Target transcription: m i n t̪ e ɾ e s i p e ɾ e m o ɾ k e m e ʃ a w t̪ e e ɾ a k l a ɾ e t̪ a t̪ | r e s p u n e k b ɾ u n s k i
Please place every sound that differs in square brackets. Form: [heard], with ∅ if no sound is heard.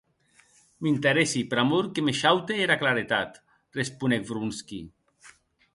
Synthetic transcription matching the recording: m i n t̪ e ɾ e s i p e ɾ [a] m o ɾ k e m e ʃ a w t̪ e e ɾ a k l a ɾ e t̪ a t̪ | r e s p u n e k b ɾ u n s k i